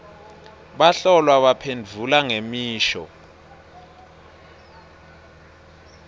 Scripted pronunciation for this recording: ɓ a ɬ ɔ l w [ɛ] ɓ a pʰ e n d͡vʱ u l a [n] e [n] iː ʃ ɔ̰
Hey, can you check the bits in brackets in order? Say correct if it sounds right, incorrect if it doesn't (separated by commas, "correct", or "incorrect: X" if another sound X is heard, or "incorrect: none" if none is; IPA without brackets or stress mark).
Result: incorrect: a, incorrect: ŋ, incorrect: m